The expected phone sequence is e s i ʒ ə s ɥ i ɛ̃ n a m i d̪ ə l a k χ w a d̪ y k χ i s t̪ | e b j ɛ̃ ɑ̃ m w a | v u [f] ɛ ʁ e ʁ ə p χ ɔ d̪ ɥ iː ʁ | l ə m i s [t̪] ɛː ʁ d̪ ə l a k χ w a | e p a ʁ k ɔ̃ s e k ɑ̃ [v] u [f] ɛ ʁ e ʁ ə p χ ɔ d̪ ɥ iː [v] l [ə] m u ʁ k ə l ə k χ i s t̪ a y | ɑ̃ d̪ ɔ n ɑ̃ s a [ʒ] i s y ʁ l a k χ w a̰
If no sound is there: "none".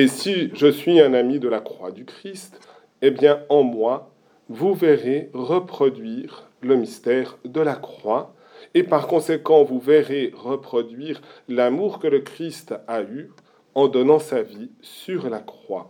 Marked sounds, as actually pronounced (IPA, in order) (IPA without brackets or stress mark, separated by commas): v, t̪, v, v, ʁ, a, v